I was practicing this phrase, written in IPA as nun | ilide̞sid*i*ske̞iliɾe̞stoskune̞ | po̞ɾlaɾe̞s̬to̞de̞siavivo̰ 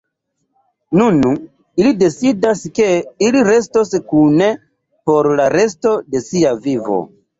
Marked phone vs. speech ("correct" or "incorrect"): incorrect